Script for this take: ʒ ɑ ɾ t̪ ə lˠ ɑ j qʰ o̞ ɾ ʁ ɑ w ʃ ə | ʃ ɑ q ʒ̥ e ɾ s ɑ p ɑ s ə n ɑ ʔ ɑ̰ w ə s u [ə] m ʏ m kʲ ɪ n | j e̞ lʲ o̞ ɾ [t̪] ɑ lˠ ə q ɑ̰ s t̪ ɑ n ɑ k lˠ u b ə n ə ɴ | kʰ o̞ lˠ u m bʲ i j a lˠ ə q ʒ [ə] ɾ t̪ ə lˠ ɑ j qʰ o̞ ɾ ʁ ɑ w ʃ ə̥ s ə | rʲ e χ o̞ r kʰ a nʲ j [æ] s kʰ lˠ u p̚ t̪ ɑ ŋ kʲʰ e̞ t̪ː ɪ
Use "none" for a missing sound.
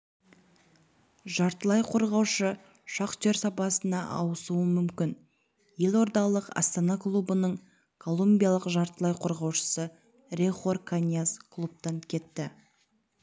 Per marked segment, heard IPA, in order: ə, d̪, ɑ, a

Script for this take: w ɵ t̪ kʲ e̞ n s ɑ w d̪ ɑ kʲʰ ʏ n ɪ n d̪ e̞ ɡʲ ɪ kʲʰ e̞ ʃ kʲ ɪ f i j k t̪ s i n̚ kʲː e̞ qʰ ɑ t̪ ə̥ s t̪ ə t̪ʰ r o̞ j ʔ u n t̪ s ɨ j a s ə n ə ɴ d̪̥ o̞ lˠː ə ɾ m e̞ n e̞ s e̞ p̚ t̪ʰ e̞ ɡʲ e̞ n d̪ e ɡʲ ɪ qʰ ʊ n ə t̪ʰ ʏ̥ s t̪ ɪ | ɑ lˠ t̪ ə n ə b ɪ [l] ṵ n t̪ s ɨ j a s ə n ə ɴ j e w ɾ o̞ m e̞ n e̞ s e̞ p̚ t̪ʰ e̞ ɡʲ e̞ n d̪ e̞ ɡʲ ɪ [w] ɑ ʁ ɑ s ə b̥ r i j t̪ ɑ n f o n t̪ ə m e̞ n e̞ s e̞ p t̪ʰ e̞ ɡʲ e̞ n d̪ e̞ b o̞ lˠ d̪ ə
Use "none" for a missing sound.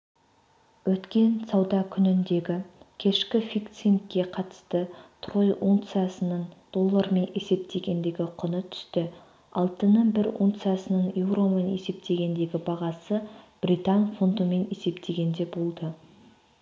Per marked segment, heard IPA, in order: ɾ, b

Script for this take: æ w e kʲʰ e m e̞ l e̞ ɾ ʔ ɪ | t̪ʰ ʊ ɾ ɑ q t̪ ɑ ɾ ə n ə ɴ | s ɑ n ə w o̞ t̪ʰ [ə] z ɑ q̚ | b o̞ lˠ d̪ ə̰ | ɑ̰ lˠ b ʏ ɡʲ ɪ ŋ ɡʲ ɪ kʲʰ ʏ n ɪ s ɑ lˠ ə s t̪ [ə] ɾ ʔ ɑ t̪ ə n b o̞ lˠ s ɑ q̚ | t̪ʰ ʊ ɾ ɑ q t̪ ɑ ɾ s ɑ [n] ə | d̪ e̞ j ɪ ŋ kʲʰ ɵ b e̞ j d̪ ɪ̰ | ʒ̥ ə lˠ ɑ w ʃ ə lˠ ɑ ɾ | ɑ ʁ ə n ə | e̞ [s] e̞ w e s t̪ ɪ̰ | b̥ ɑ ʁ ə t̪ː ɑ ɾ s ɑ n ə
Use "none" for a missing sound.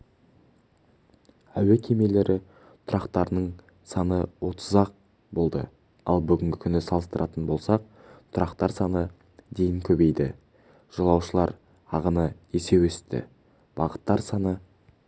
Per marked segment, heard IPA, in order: ə, ə, n, s

